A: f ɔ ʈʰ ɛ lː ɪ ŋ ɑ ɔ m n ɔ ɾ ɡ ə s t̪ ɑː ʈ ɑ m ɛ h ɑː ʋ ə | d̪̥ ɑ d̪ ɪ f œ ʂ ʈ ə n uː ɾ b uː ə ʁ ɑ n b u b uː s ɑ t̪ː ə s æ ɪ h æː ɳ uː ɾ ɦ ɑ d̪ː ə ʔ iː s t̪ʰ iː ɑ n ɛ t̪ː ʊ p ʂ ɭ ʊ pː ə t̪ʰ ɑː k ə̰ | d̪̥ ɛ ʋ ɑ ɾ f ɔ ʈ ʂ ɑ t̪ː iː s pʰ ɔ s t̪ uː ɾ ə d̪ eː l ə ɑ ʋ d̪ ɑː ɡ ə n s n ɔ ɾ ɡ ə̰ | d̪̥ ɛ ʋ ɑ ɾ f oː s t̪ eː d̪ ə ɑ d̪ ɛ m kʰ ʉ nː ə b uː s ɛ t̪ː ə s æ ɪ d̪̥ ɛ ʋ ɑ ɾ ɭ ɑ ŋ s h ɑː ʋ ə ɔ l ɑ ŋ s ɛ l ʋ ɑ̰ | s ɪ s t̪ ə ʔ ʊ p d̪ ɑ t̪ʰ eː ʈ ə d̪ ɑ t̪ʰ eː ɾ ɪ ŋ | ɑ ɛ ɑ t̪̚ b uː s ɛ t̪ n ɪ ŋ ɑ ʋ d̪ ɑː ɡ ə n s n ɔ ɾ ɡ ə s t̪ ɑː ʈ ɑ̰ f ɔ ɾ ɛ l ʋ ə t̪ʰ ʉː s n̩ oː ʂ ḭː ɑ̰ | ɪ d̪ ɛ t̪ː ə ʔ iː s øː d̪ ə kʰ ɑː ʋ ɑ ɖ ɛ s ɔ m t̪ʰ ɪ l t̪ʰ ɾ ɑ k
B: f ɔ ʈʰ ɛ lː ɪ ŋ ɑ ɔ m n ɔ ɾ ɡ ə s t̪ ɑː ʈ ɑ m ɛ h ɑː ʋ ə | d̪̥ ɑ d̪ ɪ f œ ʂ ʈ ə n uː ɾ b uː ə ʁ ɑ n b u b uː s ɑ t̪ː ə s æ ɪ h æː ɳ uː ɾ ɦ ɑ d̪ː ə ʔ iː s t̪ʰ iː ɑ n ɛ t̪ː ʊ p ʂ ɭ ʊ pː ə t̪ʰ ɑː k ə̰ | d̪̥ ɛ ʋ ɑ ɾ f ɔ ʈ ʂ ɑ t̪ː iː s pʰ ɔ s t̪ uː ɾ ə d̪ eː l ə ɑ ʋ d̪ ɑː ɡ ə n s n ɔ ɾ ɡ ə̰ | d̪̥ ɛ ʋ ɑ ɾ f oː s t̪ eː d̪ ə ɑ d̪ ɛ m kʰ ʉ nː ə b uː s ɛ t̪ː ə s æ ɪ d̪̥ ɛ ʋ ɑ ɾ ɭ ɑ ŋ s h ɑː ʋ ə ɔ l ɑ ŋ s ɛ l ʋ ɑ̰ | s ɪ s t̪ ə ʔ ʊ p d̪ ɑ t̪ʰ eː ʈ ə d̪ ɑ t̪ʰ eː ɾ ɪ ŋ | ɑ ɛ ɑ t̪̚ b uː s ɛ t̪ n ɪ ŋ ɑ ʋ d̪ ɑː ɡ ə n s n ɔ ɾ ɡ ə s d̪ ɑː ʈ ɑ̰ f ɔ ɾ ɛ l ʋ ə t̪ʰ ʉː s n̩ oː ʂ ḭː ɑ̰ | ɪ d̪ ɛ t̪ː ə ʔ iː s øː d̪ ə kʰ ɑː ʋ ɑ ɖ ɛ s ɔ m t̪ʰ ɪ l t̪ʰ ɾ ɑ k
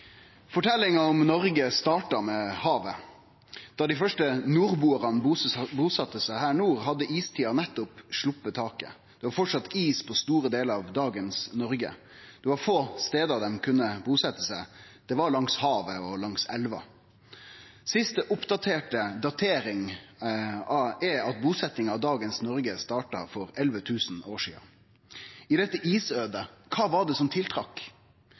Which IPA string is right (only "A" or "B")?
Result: A